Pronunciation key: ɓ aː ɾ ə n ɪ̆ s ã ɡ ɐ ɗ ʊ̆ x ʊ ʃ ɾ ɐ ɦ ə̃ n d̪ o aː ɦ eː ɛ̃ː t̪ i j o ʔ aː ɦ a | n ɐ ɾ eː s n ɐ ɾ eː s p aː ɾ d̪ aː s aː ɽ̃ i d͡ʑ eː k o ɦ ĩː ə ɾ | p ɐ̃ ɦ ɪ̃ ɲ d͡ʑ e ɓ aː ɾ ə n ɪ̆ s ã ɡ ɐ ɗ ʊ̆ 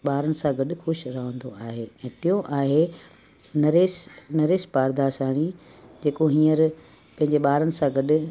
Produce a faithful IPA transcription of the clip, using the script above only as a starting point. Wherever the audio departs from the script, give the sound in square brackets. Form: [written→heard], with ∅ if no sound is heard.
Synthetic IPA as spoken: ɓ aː ɾ ə n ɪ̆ s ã ɡ ɐ ɗ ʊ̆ x ʊ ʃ ɾ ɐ ɦ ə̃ n d̪ o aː ɦ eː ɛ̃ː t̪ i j o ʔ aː ɦ [a→e] | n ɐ ɾ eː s n ɐ ɾ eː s p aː ɾ d̪ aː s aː ɽ̃ i d͡ʑ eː k o ɦ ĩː ə ɾ | p ɐ̃ ɦ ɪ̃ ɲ d͡ʑ e ɓ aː ɾ ə n ɪ̆ s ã ɡ ɐ ɗ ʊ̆